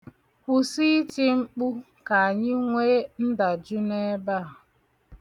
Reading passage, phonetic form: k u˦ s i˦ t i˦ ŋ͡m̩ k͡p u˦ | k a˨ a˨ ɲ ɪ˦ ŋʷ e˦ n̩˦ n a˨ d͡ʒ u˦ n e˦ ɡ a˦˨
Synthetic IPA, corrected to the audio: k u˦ s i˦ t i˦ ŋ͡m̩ k͡p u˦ | k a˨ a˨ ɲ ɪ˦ ŋʷ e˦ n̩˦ d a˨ d͡ʒ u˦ n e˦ b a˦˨